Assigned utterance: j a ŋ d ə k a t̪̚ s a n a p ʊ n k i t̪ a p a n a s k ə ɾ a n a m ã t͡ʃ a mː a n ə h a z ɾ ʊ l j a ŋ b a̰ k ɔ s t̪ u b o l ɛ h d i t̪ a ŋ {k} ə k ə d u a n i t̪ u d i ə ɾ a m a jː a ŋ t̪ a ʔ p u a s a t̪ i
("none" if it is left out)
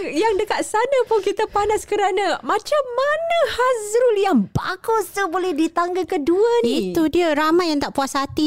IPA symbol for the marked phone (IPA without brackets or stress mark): ɡ